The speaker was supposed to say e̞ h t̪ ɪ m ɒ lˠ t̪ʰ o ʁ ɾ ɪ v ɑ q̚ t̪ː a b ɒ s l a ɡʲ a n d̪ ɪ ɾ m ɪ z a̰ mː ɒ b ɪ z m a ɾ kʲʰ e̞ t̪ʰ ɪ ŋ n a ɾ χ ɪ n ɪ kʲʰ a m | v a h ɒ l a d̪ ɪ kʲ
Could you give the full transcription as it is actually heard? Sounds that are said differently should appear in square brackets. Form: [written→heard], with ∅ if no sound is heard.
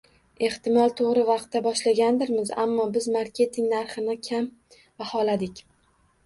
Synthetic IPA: e̞ h t̪ ɪ m ɒ lˠ t̪ʰ o ʁ ɾ ɪ v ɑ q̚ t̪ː a b ɒ [s→ʃ] l a ɡʲ a n d̪ ɪ ɾ m ɪ z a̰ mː ɒ b ɪ z m a ɾ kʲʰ e̞ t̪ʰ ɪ ŋ n a ɾ χ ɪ n ɪ kʲʰ a m | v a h ɒ l a d̪ ɪ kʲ